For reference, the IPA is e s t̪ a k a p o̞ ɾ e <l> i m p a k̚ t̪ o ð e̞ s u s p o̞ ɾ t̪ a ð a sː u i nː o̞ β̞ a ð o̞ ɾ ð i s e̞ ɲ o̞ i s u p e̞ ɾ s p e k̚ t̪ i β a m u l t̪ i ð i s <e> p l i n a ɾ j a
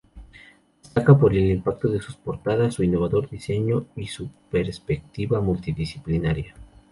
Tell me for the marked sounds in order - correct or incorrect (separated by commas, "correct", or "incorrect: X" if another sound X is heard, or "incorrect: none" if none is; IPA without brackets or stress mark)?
correct, incorrect: i